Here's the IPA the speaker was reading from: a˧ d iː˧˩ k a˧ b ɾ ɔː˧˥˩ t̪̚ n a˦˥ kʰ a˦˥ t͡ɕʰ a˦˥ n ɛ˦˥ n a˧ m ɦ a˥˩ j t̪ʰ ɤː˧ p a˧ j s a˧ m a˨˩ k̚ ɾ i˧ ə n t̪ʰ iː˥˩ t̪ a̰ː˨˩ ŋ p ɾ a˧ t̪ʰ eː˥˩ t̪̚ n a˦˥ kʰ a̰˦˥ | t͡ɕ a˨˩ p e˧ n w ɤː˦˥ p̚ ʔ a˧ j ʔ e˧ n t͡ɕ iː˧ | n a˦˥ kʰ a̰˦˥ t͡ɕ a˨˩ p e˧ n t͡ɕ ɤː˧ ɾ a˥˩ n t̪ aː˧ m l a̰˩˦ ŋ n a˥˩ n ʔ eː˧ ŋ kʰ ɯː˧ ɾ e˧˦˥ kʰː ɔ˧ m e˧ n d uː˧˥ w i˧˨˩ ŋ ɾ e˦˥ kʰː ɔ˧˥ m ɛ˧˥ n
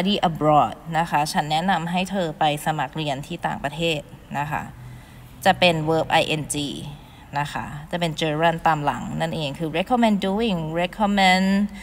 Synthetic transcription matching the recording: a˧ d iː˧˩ ʔ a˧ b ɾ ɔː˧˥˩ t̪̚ n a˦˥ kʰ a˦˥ t͡ɕʰ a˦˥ nː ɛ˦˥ n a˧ m ɦ a˥˩ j t̪ʰ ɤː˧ p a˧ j s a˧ m a˨˩ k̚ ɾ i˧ ə n t̪ʰ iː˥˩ t̪ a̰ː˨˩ ŋ p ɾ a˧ t̪ʰ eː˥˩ t̪̚ n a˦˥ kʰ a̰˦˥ | t͡ɕ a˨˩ p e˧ n w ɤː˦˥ p̚ ʔ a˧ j ʔ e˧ n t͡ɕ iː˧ | n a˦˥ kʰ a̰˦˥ t͡ɕ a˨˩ p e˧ n t͡ɕ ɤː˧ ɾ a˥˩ n t̪ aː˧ m l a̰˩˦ ŋ n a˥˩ n ʔ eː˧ ŋ kʰ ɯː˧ ɾ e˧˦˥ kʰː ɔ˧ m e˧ n d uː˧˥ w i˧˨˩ ŋ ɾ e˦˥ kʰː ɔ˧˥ m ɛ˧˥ n